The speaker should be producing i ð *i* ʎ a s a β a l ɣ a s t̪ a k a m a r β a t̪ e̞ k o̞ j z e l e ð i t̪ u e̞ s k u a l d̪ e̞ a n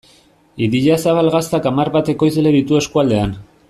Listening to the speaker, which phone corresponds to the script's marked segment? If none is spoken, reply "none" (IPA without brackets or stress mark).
i